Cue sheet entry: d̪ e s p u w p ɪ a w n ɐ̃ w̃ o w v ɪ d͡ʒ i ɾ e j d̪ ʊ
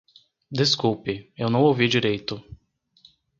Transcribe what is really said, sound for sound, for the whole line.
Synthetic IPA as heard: d̪ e s k u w p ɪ e w n ɐ̃ w̃ o w v i d͡ʒ i ɾ e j t̪ ʊ